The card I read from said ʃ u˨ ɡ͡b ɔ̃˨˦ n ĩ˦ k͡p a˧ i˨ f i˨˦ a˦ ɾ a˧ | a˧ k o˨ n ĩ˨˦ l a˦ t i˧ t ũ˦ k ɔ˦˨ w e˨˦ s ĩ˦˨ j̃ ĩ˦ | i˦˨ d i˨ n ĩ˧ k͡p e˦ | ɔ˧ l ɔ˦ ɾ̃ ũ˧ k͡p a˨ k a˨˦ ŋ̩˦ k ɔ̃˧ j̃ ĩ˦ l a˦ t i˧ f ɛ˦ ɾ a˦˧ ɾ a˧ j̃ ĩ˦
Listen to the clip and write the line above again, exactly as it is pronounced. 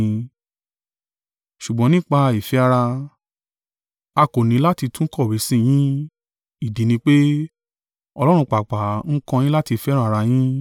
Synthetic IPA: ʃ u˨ ɡ͡b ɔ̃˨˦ n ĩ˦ k͡p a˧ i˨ f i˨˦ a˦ ɾ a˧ | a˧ k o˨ n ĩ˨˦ l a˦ t i˧ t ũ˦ k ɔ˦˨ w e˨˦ s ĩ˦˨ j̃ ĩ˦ | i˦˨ d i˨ n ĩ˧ k͡p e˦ | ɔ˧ l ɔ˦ ɾ̃ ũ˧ k͡p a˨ k͡p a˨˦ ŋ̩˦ k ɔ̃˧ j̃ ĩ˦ l a˦ t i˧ f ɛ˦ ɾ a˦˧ ɾ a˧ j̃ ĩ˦